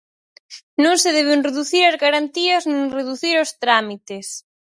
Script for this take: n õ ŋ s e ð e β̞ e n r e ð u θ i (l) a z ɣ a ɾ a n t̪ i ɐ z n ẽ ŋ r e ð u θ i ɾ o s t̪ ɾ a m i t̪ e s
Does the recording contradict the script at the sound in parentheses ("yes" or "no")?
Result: yes